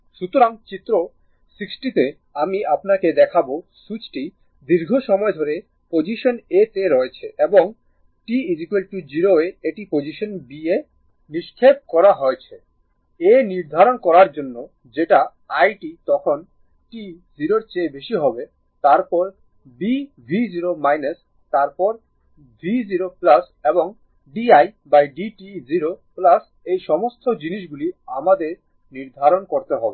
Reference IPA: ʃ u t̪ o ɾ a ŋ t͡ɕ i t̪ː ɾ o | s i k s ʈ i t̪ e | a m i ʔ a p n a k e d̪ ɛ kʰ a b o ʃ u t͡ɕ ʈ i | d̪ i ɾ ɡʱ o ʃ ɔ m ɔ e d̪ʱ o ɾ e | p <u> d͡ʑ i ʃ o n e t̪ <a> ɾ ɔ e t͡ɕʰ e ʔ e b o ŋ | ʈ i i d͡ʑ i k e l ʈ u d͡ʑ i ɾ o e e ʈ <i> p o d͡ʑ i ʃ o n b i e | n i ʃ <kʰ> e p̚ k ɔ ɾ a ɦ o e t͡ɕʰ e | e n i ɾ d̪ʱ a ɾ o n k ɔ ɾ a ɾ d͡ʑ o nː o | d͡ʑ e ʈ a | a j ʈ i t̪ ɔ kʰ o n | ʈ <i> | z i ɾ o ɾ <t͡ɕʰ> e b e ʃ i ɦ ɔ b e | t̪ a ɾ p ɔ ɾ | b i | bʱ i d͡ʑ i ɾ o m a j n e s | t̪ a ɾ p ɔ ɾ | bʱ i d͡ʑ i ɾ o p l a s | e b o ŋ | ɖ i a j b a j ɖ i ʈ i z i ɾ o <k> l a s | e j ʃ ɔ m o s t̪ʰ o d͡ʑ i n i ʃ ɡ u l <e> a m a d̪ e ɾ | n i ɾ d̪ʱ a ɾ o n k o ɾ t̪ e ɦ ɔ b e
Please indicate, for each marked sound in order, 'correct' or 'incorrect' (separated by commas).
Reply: incorrect, incorrect, correct, correct, correct, incorrect, incorrect, incorrect